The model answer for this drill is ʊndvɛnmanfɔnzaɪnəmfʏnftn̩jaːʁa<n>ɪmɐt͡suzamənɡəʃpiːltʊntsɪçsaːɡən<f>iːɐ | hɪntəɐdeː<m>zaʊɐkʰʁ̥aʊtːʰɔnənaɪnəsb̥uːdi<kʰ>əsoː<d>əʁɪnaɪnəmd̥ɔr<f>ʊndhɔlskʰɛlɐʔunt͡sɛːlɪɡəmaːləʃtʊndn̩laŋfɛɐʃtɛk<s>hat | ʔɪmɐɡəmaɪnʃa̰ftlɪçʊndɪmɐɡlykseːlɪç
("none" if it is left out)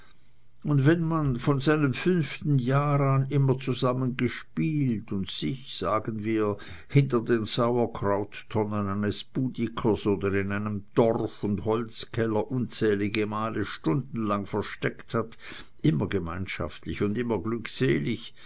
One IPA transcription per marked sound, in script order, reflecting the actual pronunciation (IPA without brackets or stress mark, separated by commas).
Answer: n, v, n, kʰ, d, f, t